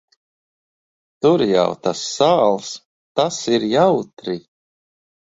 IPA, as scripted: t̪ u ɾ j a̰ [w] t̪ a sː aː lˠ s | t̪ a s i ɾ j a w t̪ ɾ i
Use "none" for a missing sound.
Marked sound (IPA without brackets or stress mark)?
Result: w